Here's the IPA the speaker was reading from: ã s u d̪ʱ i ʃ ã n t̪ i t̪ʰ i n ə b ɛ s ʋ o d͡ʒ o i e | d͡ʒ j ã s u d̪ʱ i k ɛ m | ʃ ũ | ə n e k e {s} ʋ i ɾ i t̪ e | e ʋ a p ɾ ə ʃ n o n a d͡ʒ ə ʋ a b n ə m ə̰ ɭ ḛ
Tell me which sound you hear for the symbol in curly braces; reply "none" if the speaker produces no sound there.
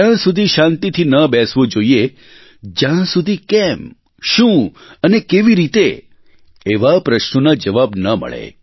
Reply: none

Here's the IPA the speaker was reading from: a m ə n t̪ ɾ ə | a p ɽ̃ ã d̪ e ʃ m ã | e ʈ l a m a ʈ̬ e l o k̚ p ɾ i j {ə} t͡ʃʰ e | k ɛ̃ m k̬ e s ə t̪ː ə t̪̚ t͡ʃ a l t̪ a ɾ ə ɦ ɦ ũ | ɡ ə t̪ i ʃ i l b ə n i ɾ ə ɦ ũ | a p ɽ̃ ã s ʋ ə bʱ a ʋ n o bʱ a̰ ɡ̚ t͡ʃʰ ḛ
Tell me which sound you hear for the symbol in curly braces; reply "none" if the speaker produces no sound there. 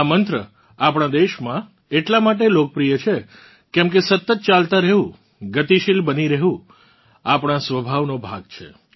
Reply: ə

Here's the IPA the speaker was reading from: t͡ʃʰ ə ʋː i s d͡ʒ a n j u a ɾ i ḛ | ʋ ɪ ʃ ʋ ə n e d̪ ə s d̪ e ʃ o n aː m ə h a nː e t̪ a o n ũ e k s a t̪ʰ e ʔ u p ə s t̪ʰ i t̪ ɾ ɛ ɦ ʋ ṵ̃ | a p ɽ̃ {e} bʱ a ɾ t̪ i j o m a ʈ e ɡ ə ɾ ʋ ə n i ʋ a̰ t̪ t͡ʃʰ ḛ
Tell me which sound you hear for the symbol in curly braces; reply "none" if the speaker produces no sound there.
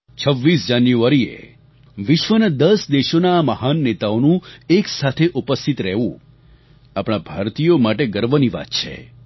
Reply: a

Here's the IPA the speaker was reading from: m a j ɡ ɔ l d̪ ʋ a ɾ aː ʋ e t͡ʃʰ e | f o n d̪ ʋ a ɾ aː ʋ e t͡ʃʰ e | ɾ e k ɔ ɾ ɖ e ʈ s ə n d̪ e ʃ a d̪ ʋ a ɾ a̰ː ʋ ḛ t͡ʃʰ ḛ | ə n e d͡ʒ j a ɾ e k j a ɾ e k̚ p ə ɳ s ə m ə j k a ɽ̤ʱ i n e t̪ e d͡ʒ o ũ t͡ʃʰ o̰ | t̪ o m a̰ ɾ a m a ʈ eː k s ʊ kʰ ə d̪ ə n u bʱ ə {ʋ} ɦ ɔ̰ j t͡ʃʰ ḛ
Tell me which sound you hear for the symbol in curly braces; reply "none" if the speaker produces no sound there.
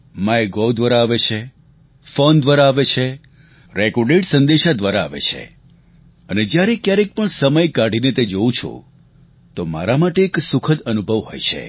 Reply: ʋ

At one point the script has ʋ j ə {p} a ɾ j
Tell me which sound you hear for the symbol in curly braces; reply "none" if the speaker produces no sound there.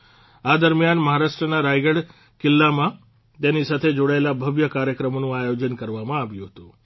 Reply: k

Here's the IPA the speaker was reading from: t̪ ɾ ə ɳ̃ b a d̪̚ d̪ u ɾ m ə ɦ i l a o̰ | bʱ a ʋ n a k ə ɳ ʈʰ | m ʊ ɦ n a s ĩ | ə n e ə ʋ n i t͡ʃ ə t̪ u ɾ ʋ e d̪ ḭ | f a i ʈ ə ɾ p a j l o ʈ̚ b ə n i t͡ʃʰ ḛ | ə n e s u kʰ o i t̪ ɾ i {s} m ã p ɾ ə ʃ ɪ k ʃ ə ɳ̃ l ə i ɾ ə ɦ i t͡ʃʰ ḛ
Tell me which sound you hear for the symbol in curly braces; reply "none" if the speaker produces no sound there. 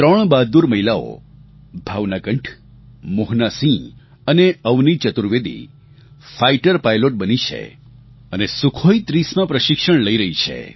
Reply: s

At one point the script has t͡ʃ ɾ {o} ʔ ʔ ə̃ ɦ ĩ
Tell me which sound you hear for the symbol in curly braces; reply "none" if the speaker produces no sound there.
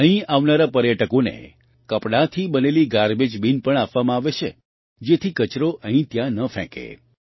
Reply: o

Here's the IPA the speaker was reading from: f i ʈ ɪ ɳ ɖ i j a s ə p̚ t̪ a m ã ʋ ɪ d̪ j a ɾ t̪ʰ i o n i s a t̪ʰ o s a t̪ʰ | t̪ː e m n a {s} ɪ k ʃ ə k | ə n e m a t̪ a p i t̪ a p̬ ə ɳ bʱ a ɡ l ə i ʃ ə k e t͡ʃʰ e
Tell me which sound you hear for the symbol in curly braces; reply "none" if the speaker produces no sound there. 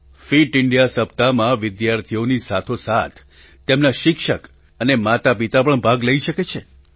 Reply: ʃ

